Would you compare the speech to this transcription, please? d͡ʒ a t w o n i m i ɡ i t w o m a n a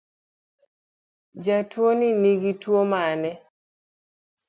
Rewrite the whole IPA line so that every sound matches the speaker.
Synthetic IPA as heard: d͡ʒ a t w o n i n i ɡ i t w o m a n ɛ